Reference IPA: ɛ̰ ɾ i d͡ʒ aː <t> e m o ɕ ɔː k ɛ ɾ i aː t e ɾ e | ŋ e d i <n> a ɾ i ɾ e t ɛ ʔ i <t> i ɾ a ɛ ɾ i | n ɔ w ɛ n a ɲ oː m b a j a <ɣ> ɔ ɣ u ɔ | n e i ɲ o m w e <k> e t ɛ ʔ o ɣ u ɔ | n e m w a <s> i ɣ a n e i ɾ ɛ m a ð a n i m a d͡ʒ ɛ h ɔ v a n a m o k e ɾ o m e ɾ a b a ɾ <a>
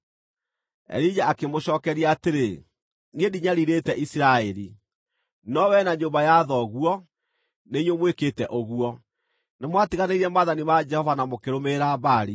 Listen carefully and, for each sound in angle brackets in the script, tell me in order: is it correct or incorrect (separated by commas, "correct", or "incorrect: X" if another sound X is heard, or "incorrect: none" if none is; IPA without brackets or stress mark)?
incorrect: k, incorrect: ɲ, incorrect: s, incorrect: ð, correct, incorrect: t, incorrect: i